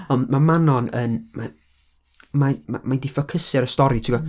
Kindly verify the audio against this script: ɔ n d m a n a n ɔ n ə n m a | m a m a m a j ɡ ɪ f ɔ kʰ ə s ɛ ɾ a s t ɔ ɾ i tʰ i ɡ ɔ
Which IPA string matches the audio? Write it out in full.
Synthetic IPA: ɔ n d m a m a n ɔ n ə n m a | m a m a m a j d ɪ f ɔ kʰ ə s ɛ ɾ ə s t ɔ ɾ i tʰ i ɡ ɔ